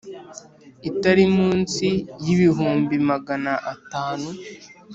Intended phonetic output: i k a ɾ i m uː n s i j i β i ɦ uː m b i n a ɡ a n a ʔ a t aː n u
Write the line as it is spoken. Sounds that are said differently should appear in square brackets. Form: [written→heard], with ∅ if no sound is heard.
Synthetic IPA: i [k→t] a ɾ i m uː n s i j i β i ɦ uː m b i [n→m] a ɡ a n a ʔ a t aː n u